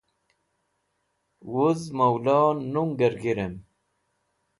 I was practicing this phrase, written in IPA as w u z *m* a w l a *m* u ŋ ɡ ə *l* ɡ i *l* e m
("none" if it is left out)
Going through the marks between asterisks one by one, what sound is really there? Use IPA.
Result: m, n, ɾ, ɾ

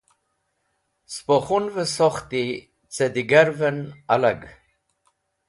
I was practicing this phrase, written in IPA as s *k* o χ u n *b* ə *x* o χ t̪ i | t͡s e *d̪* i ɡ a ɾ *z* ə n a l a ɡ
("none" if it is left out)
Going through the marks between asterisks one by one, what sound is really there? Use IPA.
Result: p, v, s, d̪, v

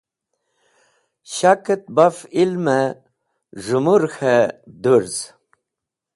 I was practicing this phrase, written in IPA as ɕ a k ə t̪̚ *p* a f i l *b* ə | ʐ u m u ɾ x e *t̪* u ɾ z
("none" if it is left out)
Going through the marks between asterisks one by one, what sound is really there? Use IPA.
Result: b, m, d̪

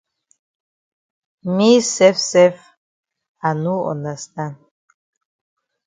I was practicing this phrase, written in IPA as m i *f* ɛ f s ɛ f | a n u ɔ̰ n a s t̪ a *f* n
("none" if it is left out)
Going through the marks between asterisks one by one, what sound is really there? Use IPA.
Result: s, none

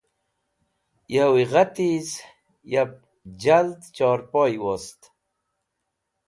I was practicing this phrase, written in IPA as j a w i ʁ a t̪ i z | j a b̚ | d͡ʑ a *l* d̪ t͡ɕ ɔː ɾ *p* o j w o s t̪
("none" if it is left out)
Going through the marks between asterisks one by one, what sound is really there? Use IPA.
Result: l, p

